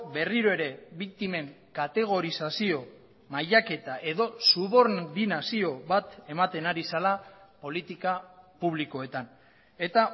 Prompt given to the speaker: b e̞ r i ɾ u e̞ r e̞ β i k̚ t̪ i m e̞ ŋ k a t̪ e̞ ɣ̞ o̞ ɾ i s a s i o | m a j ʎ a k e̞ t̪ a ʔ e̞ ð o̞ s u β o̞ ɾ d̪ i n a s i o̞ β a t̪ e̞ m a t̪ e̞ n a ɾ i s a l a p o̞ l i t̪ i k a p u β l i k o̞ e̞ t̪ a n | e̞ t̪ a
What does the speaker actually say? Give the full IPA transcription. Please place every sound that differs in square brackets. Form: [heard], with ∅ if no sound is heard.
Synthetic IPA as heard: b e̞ r i ɾ [o] e̞ [ɾ] e̞ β i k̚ t̪ i m e̞ ŋ k a t̪ e̞ ɣ̞ o̞ ɾ i s a s i o | m a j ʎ a k e̞ t̪ a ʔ e̞ ð o̞ s u β o̞ ɾ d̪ i n a s i o̞ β a t̪ e̞ m a t̪ e̞ n a ɾ i s a l a p o̞ l i t̪ i k a p u β l i k o̞ e̞ t̪ a n | e̞ t̪ a